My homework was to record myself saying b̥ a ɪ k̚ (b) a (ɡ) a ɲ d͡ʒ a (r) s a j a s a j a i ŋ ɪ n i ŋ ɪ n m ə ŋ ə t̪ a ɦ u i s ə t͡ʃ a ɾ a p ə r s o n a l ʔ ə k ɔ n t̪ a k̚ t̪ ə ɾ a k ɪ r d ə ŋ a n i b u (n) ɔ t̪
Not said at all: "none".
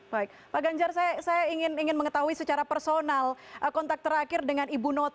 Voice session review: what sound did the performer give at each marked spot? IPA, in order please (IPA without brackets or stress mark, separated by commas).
p, ɡ, r, n